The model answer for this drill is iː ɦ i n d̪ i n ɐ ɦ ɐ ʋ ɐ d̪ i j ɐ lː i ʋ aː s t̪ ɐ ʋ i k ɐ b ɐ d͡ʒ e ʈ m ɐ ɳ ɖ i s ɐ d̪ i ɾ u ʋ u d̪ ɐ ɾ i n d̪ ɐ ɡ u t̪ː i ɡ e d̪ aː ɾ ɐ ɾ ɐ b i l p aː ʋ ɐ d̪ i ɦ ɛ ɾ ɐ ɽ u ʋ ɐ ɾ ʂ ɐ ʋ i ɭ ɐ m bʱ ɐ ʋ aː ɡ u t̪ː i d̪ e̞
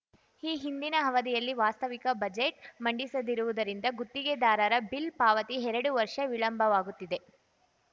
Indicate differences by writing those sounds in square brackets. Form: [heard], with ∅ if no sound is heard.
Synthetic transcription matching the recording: iː ɦ i n d̪ i n ɐ ɦ ɐ ʋ ɐ d̪ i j ɐ lː i ʋ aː s t̪ ɐ ʋ i k ɐ b ɐ d͡ʒ e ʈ m ɐ ɳ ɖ i s ɐ d̪ i ɾ u ʋ u d̪ ɐ ɾ i n d̪ ɐ ɡ u t̪ː i ɡ e d̪ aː ɾ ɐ ɾ ɐ b i l p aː ʋ ɐ [t̪] i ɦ ɛ ɾ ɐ ɽ u ʋ ɐ ɾ ʂ ɐ ʋ i ɭ ɐ m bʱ ɐ ʋ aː ɡ u t̪ː i d̪ e̞